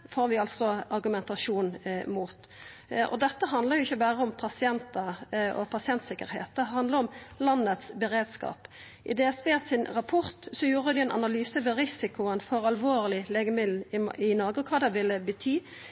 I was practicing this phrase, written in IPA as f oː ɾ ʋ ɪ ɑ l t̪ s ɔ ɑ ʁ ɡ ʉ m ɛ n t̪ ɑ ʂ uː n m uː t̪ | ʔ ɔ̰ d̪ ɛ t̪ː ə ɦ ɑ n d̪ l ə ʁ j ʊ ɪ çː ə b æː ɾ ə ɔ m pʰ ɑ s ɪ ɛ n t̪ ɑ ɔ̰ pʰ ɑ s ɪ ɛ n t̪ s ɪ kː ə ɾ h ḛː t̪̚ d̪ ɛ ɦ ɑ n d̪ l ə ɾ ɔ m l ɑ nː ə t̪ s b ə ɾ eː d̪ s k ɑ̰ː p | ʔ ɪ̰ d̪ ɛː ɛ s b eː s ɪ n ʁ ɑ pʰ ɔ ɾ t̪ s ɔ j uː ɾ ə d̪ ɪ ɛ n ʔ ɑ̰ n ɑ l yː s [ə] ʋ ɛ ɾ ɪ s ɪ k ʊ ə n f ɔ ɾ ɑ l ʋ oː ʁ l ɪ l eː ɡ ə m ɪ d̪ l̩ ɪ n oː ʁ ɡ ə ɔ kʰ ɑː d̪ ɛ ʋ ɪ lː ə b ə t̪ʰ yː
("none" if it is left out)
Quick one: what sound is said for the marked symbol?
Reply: ə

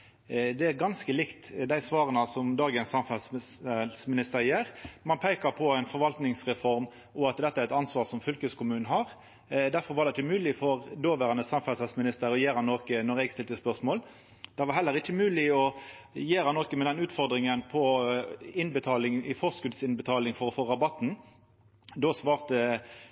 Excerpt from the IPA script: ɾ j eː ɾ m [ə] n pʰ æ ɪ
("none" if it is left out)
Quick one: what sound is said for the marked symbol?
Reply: ɑ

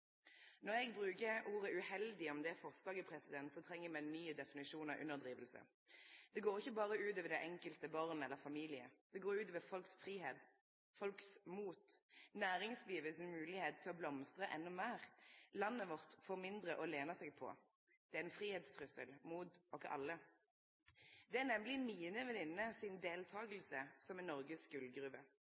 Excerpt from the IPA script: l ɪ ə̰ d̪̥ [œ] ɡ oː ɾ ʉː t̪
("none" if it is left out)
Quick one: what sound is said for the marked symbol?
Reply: ɛ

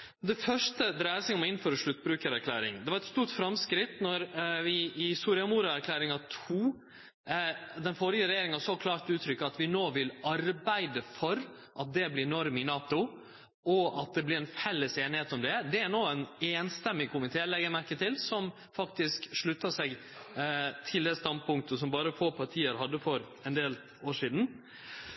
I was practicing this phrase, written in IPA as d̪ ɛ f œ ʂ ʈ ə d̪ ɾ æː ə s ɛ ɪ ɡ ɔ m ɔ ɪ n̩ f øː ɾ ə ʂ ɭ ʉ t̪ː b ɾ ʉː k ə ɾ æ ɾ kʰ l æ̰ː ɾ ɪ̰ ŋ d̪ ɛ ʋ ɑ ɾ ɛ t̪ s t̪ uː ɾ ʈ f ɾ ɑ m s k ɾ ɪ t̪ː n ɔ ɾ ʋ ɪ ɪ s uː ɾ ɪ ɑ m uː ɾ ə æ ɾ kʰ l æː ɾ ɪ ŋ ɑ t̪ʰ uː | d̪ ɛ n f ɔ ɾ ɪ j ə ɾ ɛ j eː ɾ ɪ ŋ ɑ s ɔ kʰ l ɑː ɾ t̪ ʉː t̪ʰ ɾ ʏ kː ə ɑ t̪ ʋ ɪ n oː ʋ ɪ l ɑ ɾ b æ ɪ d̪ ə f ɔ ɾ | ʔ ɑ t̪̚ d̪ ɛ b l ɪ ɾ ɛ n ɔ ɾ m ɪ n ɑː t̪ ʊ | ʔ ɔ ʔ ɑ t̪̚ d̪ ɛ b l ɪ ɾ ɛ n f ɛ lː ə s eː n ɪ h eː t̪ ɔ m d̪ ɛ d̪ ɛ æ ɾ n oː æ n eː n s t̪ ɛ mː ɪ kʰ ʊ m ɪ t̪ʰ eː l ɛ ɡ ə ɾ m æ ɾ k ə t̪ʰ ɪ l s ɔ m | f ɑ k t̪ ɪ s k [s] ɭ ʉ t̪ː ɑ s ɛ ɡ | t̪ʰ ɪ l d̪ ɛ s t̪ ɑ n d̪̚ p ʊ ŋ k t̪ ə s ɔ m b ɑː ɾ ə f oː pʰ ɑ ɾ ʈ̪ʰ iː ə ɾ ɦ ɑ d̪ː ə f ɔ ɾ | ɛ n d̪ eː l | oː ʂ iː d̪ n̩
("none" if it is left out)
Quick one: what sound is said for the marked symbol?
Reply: ʂ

